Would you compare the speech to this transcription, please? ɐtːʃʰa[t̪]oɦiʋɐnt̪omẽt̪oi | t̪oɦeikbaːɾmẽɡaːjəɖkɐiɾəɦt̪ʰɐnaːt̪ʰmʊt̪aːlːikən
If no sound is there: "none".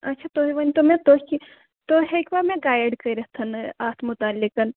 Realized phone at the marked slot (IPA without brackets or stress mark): t̪